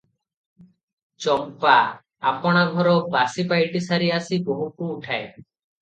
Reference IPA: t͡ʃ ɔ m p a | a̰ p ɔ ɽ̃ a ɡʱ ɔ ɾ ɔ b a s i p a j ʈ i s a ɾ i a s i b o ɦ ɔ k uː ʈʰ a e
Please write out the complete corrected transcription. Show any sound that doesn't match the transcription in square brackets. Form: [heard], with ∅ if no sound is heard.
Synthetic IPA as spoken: t͡ʃ ɔ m p a | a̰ p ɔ ɽ̃ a ɡʱ ɔ ɾ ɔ b a s i p a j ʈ i s a ɾ i a s i b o ɦ [u] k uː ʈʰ a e